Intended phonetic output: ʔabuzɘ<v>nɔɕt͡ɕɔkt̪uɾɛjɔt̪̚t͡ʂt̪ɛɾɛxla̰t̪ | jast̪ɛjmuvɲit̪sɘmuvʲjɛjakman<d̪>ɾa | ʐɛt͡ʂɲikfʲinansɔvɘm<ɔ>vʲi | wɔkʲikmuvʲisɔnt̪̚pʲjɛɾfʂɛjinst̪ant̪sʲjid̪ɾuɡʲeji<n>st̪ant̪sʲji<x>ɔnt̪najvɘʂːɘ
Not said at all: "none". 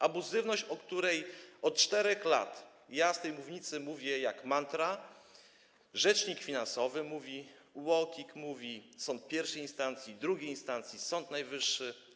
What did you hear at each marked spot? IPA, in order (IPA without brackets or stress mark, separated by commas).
v, t̪, u, n, s